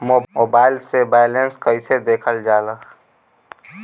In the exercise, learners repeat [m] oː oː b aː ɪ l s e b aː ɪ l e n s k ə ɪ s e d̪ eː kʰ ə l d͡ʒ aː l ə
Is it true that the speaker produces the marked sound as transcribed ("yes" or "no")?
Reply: yes